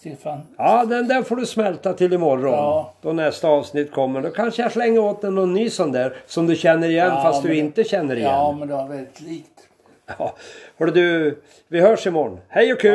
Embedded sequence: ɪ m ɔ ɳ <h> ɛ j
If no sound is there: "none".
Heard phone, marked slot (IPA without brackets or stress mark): h